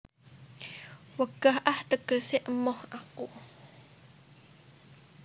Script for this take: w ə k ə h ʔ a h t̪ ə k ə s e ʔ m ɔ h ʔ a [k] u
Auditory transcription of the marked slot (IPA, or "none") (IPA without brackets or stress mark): k